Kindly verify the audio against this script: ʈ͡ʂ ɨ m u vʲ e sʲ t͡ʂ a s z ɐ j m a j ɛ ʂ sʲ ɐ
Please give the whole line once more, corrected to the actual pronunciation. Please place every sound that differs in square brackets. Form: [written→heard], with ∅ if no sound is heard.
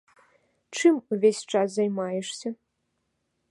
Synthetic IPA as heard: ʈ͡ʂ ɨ m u vʲ e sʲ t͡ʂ a s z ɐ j m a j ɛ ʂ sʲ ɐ